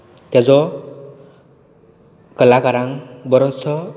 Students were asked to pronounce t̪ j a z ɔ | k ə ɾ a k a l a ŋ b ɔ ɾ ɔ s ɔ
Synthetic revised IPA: t̪ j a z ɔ | k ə l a k a ɾ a ŋ b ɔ ɾ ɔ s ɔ